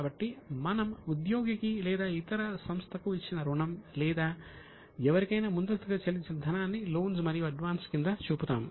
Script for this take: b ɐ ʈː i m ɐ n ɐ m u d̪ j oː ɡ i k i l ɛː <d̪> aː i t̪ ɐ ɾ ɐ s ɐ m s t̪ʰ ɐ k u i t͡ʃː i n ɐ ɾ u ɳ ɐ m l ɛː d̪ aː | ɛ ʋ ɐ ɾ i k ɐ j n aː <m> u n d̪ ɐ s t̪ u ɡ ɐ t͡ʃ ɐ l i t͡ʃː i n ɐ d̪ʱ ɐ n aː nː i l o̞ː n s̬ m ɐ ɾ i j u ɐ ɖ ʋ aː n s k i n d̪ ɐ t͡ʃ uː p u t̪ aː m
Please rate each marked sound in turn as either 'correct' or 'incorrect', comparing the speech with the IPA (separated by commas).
correct, correct